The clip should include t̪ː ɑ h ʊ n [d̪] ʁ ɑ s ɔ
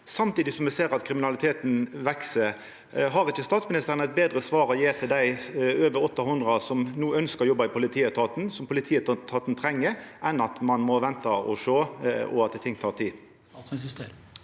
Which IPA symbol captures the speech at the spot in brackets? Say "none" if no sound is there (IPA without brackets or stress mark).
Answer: d̪